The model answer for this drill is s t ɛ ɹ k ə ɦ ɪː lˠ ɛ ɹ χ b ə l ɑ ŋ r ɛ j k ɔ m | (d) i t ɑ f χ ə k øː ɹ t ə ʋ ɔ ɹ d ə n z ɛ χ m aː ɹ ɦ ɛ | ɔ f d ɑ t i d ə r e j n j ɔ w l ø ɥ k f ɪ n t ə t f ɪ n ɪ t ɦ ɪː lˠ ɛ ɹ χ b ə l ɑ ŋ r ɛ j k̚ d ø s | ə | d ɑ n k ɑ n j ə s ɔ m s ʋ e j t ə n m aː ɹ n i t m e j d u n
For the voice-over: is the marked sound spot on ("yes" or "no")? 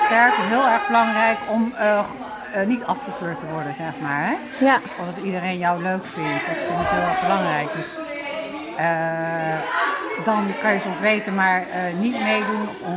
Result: no